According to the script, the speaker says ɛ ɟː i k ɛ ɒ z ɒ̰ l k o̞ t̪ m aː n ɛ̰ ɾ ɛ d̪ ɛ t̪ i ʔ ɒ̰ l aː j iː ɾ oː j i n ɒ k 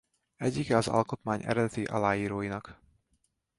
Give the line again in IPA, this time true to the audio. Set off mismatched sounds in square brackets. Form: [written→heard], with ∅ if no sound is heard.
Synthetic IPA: ɛ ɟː i k ɛ ɒ z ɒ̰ l k o̞ t̪ m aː [n→ɲ] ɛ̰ ɾ ɛ d̪ ɛ t̪ i ʔ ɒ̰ l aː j iː ɾ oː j i n ɒ k

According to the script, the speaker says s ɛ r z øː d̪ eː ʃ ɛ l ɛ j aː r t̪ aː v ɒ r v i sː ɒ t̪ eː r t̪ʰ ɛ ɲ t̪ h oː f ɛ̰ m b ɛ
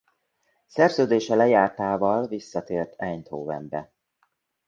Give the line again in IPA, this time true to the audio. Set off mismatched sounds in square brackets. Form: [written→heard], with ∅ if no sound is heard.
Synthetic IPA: s ɛ r z øː d̪ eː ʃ ɛ l ɛ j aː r t̪ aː v ɒ [r→l] v i sː ɒ t̪ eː r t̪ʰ ɛ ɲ t̪ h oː [f→v] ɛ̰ m b ɛ

